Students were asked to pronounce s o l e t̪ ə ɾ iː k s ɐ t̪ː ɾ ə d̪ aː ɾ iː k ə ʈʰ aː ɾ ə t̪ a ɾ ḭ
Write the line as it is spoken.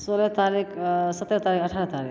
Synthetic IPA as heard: s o l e t̪ a ɾ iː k s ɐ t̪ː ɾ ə t̪ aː ɾ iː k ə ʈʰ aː ɾ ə t̪ a ɾ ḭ

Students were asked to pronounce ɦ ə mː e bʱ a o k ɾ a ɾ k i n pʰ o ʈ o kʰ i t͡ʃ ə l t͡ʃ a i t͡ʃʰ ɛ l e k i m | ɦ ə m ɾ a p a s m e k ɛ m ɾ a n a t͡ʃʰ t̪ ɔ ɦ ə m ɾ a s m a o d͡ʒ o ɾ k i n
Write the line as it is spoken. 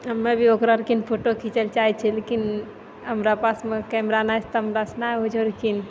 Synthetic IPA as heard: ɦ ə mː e bʱ i o k ɾ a ɾ k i n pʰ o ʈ o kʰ i t͡ʃ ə l t͡ʃ a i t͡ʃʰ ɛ l e k i n | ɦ ə m ɾ a p a s m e k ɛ m ɾ a n a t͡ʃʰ t̪ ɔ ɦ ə m ɾ a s n a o d͡ʒ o ɾ k i n

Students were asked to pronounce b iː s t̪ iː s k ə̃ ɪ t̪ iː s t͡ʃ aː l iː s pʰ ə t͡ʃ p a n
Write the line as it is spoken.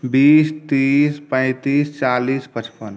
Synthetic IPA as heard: b iː s t̪ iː s p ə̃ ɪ t̪ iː s t͡ʃ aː l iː s p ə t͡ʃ p ə n

